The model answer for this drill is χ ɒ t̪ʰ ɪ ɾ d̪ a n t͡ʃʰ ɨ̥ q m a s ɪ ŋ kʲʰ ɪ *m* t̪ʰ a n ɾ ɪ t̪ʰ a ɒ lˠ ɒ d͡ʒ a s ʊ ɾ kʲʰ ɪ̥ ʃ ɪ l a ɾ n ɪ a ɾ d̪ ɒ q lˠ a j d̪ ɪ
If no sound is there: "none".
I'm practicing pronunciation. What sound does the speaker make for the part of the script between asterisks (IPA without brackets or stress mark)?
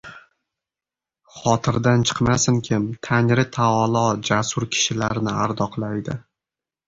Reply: m